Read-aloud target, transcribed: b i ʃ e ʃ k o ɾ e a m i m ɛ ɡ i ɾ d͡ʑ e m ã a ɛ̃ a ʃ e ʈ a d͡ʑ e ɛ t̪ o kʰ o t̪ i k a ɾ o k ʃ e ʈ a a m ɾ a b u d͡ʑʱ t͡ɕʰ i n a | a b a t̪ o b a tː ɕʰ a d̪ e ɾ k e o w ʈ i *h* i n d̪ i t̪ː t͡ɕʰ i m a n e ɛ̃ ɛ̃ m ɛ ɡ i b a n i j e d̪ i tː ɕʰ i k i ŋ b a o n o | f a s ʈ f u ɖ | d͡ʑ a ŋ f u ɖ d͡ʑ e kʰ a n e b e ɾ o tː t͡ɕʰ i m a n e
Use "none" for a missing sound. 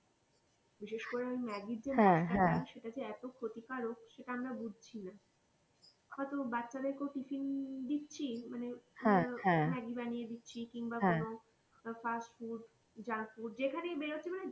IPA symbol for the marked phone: f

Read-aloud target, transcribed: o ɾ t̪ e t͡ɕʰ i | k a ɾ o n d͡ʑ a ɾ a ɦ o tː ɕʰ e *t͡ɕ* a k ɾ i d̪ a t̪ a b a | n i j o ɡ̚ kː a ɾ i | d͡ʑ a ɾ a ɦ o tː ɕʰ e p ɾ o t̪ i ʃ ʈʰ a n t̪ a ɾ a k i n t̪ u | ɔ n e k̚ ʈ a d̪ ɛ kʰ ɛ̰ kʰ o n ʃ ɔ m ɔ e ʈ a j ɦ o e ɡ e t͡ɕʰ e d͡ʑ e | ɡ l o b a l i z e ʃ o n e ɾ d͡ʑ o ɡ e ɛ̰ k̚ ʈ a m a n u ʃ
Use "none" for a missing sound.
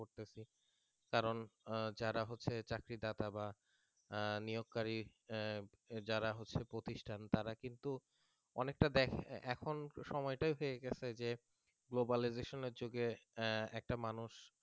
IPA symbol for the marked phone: t͡ɕ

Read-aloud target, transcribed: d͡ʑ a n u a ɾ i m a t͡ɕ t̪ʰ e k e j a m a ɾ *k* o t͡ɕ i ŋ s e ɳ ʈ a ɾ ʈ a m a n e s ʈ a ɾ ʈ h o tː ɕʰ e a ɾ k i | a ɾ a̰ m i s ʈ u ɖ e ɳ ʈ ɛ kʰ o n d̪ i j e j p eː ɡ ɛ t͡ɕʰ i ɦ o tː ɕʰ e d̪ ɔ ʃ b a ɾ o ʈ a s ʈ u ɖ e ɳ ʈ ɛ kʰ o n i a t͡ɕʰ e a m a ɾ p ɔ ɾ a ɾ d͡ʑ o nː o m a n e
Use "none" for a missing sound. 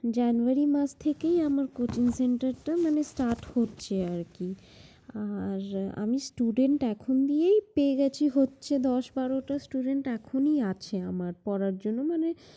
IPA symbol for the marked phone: k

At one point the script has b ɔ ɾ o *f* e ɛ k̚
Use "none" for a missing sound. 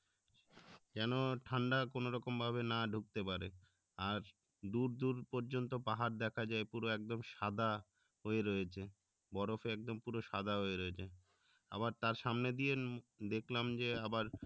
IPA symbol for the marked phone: f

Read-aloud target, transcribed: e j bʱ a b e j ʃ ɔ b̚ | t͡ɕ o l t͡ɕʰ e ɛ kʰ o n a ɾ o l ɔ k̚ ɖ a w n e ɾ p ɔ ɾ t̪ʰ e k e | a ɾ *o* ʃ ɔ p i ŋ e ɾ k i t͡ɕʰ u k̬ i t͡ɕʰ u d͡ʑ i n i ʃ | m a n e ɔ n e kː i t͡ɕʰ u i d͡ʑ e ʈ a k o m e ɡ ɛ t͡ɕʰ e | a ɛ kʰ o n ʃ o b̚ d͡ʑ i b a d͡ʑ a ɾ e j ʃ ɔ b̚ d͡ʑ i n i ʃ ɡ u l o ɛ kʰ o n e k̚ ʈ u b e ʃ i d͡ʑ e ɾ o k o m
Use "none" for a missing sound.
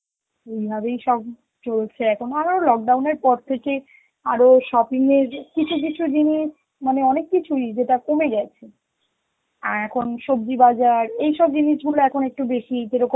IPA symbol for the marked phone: o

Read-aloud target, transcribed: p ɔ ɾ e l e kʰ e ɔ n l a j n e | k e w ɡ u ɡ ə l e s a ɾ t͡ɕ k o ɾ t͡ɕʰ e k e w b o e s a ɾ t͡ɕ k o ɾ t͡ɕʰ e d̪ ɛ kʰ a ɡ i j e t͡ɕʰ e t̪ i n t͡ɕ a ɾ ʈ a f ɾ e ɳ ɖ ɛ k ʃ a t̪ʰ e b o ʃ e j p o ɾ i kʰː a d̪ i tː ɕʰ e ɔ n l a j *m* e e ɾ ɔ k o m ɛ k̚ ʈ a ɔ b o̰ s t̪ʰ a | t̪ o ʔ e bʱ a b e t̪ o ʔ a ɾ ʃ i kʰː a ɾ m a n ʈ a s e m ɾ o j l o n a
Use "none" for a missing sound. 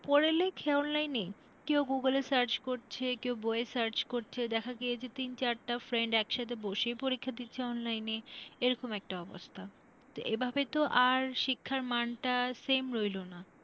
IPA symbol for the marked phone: n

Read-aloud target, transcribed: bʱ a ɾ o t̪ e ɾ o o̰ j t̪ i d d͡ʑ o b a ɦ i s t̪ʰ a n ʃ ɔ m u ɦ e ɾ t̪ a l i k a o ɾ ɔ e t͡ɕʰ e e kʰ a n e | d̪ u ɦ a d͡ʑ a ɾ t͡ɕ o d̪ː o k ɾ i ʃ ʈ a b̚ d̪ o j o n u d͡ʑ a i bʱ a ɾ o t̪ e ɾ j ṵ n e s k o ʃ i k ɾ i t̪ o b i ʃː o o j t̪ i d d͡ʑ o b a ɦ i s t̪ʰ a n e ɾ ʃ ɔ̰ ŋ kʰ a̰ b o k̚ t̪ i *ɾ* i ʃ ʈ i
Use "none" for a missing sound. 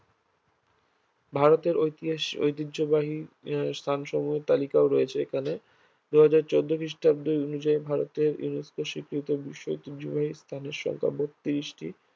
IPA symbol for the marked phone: ɾ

